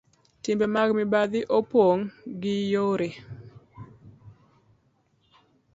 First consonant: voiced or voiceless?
voiceless